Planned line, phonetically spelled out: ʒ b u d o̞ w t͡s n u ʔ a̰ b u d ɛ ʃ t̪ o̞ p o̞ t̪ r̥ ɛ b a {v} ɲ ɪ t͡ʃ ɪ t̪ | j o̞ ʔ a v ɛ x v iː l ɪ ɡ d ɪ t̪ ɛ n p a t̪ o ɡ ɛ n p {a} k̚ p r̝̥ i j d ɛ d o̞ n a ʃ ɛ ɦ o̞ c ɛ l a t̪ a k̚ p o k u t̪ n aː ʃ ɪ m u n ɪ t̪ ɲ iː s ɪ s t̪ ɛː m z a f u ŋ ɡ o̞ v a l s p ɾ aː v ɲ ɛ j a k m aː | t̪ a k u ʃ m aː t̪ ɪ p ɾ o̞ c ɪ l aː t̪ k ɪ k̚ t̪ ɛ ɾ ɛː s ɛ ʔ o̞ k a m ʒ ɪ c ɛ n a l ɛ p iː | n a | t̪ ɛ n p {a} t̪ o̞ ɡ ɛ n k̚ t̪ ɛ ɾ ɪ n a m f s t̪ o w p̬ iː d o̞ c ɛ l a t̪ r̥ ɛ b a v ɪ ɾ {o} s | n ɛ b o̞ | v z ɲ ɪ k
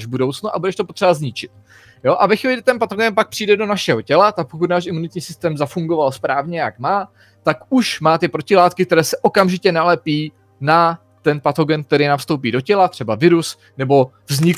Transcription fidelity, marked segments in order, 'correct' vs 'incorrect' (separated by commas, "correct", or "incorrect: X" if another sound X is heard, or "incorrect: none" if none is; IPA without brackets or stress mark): incorrect: z, correct, correct, incorrect: u